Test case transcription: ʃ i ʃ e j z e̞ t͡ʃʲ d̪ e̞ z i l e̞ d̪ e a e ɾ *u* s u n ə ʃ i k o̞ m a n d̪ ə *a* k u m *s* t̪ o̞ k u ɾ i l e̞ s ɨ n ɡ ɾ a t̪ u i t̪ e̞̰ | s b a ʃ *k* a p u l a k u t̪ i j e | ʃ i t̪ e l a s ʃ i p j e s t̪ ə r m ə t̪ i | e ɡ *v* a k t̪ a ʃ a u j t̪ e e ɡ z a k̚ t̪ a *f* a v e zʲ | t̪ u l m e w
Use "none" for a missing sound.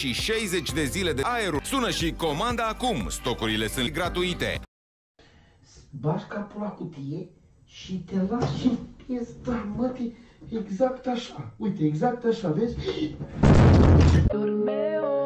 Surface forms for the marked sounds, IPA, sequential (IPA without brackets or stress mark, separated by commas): u, a, s, k, z, ʃ